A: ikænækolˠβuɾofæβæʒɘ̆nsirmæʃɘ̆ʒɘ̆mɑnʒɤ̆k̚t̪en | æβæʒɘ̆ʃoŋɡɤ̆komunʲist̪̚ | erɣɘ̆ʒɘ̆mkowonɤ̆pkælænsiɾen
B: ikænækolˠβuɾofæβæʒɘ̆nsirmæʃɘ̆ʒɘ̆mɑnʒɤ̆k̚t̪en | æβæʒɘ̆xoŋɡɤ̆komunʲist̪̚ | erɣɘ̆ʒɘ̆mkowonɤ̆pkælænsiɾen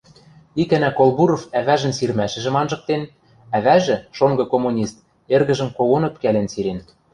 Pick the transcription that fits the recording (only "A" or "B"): A